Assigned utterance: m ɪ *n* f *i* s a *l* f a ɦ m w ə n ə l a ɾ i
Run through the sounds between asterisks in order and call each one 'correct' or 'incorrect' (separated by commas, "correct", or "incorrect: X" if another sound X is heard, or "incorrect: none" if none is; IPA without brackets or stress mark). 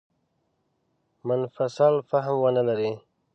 correct, incorrect: a, correct